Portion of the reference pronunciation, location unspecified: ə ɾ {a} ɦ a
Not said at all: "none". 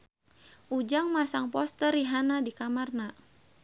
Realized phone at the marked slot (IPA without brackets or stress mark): i